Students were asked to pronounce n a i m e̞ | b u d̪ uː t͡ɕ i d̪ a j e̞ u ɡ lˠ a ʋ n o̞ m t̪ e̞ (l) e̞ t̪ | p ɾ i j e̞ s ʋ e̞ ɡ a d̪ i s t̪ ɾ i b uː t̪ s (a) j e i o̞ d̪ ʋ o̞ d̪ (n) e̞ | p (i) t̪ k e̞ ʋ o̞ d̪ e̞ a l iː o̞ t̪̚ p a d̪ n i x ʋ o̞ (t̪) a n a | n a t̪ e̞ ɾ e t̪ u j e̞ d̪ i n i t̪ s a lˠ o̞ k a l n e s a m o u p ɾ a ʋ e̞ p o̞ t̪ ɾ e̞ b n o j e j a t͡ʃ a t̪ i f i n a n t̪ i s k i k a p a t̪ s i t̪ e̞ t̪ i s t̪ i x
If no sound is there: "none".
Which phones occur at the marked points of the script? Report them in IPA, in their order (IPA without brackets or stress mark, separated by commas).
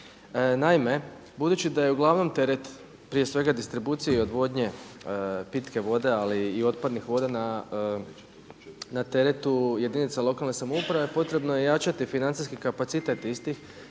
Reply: ɾ, i, ɲ, i, d̪